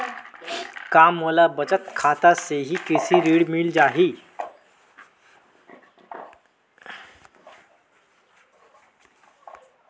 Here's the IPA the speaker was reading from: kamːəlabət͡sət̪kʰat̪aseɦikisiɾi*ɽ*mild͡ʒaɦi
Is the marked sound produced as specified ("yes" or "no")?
yes